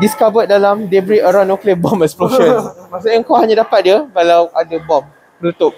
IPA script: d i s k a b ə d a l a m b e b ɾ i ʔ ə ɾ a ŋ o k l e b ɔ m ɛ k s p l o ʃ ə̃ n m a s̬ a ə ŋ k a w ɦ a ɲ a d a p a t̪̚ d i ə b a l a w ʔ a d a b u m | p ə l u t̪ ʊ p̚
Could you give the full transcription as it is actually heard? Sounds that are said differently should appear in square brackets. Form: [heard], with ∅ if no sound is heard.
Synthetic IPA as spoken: d i s k a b ə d a l a m [d] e b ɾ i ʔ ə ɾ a [n] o k l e b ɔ m ɛ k s p l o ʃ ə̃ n m a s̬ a ə ŋ k a w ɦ a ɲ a d a p a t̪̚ d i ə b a l a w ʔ a d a b [ɔ] m | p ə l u t̪ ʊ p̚